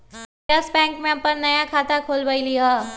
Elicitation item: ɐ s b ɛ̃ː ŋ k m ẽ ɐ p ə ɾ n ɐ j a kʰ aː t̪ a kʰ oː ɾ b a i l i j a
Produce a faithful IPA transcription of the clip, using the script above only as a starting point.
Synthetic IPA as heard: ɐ s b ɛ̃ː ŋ k m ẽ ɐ p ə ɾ n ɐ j a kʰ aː t̪ a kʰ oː l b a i l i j a

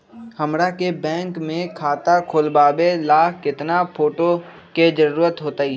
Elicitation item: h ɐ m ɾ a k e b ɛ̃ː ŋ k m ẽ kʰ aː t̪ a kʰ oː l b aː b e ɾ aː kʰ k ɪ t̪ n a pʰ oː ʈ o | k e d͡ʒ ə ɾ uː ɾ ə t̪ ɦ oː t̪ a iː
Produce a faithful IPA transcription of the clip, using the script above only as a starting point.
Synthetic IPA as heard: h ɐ m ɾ a k e b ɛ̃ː ŋ k m ẽ kʰ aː t̪ a kʰ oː l b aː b e l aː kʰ k ɪ t̪ n a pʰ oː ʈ o | k e d͡ʒ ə ɾ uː ɾ ə t̪ ɦ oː t̪ a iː

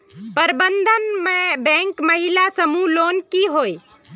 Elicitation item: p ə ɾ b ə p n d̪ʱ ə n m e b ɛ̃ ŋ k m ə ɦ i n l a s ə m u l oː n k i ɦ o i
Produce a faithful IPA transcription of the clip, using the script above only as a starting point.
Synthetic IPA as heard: p ə ɾ b ə n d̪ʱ ə n m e b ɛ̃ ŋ k m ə ɦ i l a s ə m u l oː n k i ɦ o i

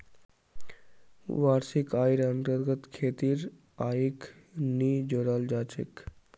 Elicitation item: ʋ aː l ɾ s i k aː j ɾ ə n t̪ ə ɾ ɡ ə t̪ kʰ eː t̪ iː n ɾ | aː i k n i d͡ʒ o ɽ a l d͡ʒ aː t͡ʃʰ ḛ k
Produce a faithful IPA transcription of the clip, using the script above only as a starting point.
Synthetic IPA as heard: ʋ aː ɾ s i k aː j ɾ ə n t̪ ə ɾ ɡ ə t̪ kʰ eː t̪ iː ɾ | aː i k n i d͡ʒ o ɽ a l d͡ʒ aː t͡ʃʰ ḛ k

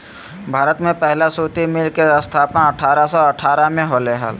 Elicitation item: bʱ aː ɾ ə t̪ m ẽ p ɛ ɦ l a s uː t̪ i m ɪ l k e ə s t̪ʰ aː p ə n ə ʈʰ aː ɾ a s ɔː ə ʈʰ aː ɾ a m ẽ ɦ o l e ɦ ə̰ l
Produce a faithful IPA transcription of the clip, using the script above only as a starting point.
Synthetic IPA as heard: bʱ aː ɾ ə t̪ m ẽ p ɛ ɦ l a s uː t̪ i m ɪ l k e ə s t̪ʰ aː p ə n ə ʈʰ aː ɾ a s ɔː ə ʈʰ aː ɾ a m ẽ ɦ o l e ɦ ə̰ l

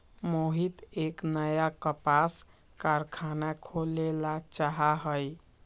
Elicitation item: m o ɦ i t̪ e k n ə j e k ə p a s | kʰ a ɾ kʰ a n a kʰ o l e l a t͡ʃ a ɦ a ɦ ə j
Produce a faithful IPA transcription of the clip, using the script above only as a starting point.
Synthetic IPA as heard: m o ɦ i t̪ e k n ə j a k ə p a s | k a ɾ kʰ a n a kʰ o l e l a t͡ʃ a ɦ a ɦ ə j

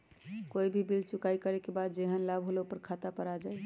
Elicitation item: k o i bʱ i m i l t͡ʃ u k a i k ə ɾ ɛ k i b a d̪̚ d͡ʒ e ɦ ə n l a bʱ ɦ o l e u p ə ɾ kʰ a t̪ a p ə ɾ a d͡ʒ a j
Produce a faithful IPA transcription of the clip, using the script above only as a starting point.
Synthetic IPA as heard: k o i bʱ i b i l t͡ʃ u k a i k ə ɾ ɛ k e b a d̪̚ d͡ʒ e ɦ ə n l a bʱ ɦ o l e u p ə ɾ kʰ a t̪ a p ə ɾ a d͡ʒ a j

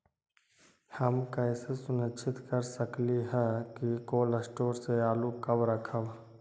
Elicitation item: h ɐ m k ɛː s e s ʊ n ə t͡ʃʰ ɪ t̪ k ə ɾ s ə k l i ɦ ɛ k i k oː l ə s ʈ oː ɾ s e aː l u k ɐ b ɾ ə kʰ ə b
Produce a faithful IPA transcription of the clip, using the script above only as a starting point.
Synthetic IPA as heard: h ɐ m k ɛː s e s ʊ n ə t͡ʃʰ ɪ t̪ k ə ɾ s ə k l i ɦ ɛ k i k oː l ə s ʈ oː ɾ s e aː l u k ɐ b ɾ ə kʰ ə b

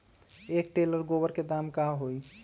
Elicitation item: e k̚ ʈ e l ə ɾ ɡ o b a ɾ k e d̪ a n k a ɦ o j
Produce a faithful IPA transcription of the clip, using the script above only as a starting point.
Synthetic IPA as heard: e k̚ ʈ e l ə ɾ ɡ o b ə ɾ k e d̪ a m k a ɦ o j

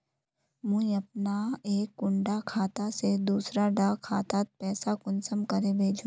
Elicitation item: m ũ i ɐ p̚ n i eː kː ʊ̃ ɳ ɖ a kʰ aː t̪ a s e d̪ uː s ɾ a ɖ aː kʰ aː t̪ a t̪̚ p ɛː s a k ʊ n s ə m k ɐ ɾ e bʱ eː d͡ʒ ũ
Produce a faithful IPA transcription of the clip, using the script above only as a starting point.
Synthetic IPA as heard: m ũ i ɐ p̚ n a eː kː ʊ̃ ɳ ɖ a kʰ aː t̪ a s e d̪ uː s ɾ a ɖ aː kʰ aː t̪ a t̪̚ p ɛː s a k ʊ n s ə m k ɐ ɾ e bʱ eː d͡ʒ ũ

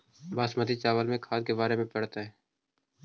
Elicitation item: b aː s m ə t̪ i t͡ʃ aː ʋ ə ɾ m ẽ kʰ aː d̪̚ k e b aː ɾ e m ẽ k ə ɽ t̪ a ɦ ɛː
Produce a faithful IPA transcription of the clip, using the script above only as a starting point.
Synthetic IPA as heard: b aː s m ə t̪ i t͡ʃ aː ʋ ə l m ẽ kʰ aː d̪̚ k e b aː ɾ e m ẽ p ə ɽ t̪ a ɦ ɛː

